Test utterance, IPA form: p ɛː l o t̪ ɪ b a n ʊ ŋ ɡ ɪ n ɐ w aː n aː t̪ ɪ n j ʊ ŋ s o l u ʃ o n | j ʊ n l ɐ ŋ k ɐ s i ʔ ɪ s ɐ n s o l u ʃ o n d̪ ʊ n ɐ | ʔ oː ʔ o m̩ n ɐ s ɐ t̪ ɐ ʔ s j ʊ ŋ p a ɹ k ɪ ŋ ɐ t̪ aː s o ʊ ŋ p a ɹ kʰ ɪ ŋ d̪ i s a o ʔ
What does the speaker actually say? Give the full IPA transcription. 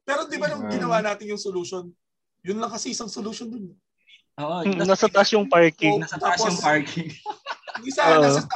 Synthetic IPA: p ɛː ɾ o d̪ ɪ b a n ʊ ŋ ɡ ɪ n ɐ w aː n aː t̪ ɪ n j ʊ ŋ s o l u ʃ o n | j ʊ n l ɐ ŋ k ɐ s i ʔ ɪ s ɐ ŋ s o l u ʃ o n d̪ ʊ n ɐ | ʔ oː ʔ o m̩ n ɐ s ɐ t̪ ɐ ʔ s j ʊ ŋ p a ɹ k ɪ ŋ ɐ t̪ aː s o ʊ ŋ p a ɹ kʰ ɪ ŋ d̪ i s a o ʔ